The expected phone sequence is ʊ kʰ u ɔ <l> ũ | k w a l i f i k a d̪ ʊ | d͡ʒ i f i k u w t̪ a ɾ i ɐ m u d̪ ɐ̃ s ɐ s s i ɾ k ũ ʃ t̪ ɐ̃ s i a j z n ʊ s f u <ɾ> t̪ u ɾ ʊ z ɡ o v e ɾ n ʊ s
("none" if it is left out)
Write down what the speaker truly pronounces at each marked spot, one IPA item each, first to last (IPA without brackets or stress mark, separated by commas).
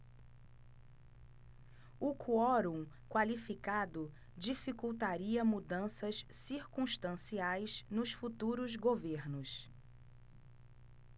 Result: ɾ, none